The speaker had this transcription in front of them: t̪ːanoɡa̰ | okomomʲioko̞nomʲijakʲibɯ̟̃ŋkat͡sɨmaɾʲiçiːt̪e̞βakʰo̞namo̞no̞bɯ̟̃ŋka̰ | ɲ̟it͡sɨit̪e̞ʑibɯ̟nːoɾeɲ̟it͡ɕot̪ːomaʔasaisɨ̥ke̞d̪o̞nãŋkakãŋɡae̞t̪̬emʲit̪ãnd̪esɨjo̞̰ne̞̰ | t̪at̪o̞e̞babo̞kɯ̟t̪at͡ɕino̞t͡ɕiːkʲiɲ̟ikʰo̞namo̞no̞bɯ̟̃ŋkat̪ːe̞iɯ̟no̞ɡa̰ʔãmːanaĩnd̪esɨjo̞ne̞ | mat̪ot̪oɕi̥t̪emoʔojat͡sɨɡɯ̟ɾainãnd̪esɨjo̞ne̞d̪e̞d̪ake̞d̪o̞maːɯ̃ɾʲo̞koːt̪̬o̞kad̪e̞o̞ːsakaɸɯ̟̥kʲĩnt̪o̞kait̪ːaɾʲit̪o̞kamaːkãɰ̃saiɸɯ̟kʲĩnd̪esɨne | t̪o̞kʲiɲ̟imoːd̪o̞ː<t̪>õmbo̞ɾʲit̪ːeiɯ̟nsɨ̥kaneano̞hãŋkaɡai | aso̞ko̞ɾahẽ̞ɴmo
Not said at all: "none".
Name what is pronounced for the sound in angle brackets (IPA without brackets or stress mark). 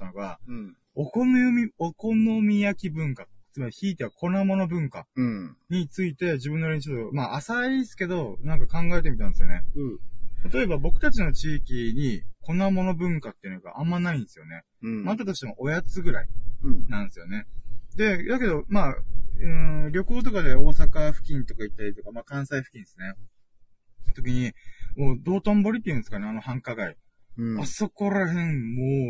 t̪